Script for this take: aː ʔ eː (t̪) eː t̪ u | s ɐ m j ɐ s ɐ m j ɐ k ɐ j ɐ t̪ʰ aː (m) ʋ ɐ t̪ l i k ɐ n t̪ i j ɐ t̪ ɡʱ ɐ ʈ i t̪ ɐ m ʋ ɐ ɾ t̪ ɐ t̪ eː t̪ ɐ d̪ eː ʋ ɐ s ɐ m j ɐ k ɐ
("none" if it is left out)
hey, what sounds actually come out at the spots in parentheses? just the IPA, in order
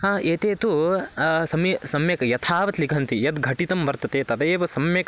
t̪, none

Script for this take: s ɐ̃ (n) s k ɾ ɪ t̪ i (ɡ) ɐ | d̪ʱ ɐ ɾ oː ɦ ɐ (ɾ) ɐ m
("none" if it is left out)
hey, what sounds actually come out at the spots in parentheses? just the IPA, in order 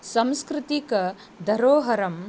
m, k, ɾ

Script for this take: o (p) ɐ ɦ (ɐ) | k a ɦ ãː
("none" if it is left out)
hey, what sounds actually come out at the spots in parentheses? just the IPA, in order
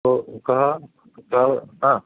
k, a

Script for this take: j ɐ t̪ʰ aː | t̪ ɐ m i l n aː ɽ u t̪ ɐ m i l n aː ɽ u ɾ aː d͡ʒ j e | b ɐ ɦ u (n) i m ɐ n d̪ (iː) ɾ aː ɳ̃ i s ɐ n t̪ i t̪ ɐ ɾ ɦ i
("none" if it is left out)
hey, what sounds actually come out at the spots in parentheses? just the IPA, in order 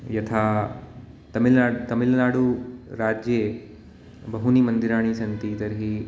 n, i

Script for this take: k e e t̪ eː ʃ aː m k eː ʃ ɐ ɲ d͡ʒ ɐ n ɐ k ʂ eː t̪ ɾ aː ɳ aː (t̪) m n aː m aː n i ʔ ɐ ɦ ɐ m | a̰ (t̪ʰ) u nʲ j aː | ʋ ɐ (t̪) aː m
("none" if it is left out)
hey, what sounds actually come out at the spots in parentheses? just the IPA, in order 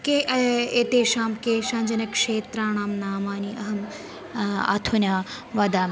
none, t̪ʰ, d̪

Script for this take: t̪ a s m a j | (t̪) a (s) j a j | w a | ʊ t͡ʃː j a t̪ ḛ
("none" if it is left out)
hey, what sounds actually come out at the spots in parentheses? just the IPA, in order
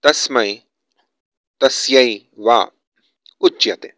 t̪, s

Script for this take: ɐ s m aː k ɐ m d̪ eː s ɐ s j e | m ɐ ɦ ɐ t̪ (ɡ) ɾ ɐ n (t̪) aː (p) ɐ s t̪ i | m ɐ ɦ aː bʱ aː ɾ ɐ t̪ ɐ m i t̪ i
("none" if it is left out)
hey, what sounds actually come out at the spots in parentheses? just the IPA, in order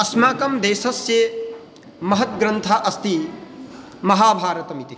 ɡ, t̪ʰ, ʔ

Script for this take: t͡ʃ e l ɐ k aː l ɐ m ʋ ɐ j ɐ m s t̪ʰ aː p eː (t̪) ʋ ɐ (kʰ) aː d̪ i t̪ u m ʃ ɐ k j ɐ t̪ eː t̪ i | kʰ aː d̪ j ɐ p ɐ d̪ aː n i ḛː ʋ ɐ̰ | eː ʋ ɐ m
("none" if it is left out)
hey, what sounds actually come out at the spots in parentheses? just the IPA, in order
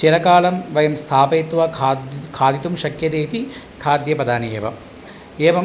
t̪, kʰ

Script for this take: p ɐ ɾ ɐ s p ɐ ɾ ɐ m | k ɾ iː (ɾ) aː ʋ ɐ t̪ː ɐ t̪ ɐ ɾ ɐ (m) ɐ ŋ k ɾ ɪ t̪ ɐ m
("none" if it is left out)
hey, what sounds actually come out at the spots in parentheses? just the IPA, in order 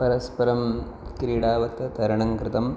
ɽ, ɳ

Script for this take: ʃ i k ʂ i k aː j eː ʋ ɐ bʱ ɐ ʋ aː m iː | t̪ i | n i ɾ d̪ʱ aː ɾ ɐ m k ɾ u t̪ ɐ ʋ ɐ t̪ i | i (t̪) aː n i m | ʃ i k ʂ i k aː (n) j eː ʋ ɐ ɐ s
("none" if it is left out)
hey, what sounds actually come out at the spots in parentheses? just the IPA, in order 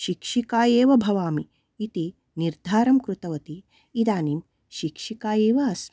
d̪, none

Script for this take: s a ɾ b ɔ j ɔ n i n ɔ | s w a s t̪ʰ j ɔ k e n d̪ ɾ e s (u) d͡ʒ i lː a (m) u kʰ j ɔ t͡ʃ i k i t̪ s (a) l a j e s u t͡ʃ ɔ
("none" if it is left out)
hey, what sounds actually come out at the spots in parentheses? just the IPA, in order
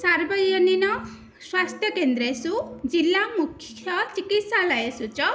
u, m, a

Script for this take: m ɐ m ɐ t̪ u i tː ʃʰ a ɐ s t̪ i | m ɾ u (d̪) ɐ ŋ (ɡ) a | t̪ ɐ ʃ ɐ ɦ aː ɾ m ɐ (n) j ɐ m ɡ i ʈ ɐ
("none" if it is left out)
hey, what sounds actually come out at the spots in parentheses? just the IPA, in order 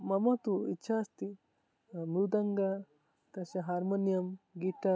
d̪, ɡ, n

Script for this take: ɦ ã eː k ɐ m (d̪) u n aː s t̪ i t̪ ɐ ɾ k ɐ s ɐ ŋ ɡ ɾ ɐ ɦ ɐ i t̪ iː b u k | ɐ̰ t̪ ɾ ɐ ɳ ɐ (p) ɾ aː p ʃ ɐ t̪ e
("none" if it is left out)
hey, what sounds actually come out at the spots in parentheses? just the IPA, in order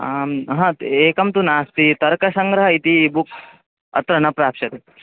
t̪, p

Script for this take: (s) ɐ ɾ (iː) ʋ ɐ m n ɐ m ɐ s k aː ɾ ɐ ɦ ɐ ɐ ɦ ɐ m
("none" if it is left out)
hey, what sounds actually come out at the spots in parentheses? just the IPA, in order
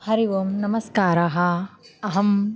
h, i

